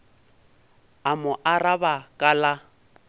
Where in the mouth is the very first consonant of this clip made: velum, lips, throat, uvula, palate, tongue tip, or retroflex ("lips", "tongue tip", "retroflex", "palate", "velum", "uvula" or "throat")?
lips